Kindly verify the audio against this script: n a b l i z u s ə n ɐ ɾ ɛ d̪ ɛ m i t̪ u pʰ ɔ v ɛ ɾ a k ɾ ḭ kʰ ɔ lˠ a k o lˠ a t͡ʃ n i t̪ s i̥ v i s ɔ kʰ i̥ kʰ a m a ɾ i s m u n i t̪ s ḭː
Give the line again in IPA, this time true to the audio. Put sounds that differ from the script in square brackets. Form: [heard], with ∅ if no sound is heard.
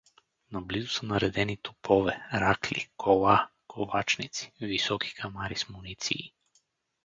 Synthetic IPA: n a b l i z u s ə n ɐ ɾ ɛ d̪ ɛ [n] i t̪ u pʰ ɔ v ɛ ɾ a k [l] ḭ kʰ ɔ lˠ a k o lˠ a t͡ʃ n i t̪ s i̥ v i s ɔ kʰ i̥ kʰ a m a ɾ i s m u n i t̪ s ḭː